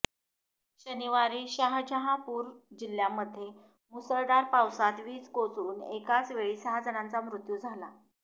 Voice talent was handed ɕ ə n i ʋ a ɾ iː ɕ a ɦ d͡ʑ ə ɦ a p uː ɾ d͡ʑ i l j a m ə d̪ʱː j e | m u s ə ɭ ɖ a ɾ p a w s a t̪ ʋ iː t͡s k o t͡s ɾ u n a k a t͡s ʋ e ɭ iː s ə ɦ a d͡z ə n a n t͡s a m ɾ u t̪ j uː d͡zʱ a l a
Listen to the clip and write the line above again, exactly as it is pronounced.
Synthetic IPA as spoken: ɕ ə n i ʋ a ɾ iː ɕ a ɦ d͡ʑ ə ɦ a p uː ɾ d͡ʑ i l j a m ə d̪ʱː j e | m u s ə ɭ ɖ a ɾ p a w s a t̪ ʋ iː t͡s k o t͡s ɾ uː n e k a t͡s ʋ e ɭ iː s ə ɦ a d͡z ə n a n t͡s a m ɾ u t̪ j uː d͡zʱ a l a